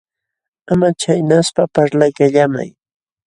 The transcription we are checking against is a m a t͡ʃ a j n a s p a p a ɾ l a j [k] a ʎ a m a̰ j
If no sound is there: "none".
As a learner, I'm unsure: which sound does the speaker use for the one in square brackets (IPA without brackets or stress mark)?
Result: k